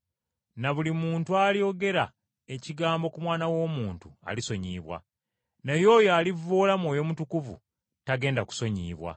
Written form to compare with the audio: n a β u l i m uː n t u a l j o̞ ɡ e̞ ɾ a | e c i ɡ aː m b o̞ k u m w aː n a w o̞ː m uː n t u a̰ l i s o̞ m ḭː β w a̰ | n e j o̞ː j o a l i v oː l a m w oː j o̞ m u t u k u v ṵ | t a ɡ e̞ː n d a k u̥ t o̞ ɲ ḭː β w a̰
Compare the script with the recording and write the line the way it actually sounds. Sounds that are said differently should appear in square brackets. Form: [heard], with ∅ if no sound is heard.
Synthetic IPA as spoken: n a β u l i m uː n t u a l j o̞ ɡ e̞ ɾ a | e c i ɡ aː m b o̞ k u m w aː n a w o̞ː m uː n t u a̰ l i s o̞ [ɲ] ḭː β w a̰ | n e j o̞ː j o a l i v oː l a m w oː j o̞ m u t u k u v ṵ | t a ɡ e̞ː n d a k u̥ [s] o̞ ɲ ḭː β w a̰